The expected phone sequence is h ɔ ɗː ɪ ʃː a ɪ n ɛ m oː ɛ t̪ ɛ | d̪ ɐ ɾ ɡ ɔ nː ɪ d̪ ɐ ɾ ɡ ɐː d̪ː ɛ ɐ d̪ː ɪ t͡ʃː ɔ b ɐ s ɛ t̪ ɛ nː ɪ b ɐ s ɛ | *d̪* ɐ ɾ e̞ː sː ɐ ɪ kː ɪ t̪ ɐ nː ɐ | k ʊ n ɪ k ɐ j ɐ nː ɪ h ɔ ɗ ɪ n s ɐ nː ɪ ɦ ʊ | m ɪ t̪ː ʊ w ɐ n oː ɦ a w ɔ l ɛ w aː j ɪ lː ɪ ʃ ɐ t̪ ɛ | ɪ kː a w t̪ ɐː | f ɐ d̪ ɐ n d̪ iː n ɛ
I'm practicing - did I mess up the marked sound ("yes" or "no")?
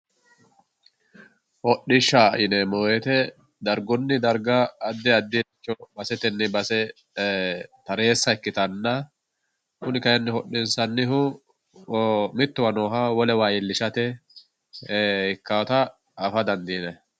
yes